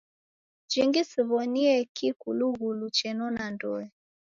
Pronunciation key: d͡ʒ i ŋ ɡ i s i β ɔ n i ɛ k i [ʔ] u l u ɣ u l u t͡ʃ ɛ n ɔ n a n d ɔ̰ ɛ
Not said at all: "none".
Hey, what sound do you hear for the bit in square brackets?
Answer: k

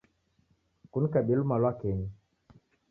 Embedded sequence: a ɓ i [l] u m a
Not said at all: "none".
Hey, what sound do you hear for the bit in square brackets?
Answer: l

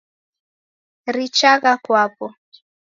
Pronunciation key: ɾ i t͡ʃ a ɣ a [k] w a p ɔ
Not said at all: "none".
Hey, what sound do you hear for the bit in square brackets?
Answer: k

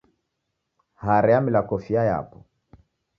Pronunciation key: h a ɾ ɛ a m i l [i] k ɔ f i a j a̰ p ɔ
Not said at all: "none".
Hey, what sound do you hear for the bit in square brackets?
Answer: a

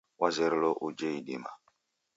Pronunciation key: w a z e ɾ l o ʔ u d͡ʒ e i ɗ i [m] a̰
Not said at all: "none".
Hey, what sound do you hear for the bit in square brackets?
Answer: m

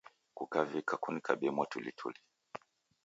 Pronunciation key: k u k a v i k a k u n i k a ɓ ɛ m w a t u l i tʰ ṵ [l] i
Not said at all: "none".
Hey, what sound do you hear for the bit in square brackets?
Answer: l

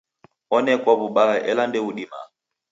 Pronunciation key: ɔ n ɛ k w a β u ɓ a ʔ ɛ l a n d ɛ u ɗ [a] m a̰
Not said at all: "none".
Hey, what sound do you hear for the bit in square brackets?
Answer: i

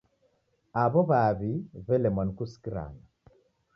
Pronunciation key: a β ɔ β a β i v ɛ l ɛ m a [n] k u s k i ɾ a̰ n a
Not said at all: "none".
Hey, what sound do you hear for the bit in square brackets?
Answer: n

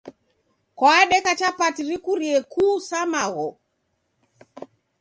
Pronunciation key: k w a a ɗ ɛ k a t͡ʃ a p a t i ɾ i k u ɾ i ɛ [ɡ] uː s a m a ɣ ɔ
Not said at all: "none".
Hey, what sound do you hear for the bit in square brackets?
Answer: k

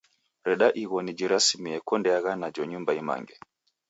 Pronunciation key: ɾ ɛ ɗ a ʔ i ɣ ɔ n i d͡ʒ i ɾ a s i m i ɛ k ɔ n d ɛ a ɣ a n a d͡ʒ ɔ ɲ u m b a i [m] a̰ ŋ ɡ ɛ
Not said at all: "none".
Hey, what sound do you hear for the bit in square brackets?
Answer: m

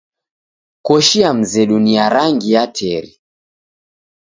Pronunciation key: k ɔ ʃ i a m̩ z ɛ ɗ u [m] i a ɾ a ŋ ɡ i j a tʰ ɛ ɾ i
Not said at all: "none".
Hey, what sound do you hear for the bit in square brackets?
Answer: n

